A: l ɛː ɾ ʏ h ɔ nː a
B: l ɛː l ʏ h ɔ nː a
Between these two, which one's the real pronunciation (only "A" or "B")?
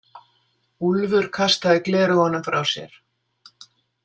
A